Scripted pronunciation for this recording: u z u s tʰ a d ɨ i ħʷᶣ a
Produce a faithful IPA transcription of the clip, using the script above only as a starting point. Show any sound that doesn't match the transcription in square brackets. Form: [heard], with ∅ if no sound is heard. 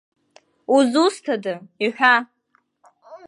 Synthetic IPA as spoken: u z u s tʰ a d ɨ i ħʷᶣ a